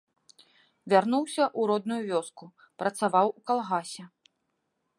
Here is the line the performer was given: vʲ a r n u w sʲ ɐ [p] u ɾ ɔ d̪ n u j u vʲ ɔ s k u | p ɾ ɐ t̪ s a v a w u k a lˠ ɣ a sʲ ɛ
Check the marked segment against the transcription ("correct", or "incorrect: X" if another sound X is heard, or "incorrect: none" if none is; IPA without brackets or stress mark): incorrect: ʔ